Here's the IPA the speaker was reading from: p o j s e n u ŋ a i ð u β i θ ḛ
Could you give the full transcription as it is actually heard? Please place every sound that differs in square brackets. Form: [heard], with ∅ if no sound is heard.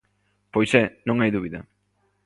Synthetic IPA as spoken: p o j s e n [o] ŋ a [j] ð u β i [ð] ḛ